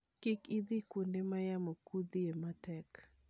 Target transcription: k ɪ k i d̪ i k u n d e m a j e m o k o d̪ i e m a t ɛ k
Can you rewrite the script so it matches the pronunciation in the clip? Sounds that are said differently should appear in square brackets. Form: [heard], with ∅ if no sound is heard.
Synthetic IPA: k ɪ k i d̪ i k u n d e m a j [a] m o k [u] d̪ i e m a t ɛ k

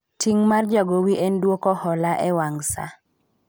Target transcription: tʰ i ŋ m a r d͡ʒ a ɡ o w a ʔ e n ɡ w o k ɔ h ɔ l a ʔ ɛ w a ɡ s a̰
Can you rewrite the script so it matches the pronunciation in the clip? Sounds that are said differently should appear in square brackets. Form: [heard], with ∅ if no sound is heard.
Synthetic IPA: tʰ i ŋ m a r d͡ʒ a ɡ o w [i] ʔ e n [d] w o k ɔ h ɔ l a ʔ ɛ w a [ŋ] s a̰

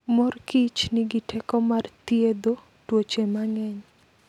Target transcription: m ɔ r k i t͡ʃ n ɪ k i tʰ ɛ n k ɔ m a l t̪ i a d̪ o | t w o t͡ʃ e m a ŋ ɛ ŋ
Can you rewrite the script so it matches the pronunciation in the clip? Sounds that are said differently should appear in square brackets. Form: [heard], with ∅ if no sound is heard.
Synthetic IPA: m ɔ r k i t͡ʃ n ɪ [ɡ] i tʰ ɛ [∅] k ɔ m a [r] t̪ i [e] d̪ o | t w o t͡ʃ e m a ŋ ɛ [ɲ]

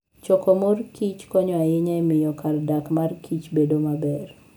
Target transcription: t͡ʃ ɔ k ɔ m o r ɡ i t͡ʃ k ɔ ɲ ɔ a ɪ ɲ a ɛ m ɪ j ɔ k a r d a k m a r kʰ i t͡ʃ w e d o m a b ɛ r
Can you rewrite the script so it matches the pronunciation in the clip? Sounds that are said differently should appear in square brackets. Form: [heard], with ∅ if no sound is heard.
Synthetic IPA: t͡ʃ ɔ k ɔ m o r [k] i t͡ʃ k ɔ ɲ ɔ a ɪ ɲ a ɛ m ɪ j ɔ k a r d a k m a r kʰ i t͡ʃ [b] e d o m a b ɛ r

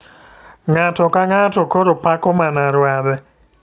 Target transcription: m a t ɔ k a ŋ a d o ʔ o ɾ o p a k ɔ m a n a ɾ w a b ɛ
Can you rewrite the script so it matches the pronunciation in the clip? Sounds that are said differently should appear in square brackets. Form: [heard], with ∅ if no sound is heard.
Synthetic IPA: [ŋ] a t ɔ k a ŋ a [t] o [k] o ɾ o p a k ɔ m a n a ɾ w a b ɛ

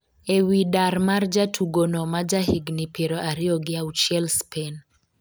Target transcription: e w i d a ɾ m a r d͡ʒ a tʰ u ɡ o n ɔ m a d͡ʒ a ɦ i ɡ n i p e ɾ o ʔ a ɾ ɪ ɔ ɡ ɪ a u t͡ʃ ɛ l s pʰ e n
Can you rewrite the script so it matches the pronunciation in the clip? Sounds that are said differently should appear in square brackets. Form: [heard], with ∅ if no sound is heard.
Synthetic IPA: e w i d a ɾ m a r d͡ʒ a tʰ u ɡ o n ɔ m a d͡ʒ a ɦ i ɡ n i p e ɾ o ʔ a ɾ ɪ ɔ ɡ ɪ a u t͡ʃ ɛ l s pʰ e n

